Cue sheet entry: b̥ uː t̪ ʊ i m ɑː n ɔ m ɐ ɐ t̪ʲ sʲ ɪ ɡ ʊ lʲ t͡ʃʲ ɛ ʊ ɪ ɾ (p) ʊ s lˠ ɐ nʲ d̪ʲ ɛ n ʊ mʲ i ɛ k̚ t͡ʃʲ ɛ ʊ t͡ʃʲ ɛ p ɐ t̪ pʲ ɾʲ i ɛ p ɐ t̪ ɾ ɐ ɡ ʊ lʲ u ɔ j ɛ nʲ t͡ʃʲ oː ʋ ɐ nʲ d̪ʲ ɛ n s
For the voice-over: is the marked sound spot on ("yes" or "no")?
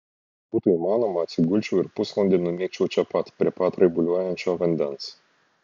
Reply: yes